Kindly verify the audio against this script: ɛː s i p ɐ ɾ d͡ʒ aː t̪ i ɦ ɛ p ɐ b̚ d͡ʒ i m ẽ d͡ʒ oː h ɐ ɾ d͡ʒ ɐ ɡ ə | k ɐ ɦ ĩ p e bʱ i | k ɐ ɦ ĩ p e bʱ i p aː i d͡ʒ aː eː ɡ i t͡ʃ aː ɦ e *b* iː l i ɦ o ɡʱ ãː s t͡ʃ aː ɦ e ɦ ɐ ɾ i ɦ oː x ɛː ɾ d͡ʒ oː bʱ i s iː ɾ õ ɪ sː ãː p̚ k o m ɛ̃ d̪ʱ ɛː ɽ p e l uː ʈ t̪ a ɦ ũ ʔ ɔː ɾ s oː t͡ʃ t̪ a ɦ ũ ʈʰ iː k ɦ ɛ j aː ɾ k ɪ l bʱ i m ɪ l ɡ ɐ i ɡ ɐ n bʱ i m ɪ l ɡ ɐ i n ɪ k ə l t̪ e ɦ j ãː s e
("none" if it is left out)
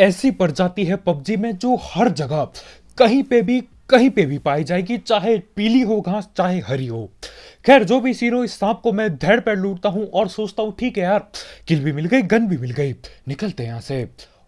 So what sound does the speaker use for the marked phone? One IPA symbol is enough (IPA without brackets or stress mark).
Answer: p